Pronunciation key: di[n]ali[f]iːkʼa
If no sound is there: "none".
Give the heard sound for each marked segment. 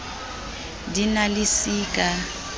n, s

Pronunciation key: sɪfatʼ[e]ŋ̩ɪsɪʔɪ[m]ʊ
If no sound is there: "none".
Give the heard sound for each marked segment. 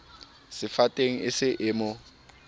e, m

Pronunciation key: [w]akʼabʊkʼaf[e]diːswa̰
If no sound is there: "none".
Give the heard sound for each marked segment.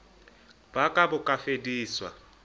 b, e

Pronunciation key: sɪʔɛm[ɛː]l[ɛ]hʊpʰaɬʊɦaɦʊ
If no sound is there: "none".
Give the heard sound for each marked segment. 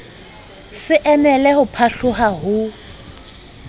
ɛ, ɛ

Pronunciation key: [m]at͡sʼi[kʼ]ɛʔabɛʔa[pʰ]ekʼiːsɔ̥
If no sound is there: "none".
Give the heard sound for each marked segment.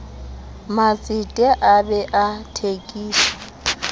m, tʼ, tʰ

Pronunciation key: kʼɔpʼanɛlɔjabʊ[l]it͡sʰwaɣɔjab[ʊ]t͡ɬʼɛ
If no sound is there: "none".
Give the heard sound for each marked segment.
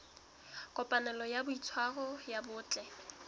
none, ʊː

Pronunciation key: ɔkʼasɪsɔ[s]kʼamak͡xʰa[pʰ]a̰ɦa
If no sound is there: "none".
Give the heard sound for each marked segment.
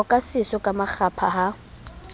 none, pʰ

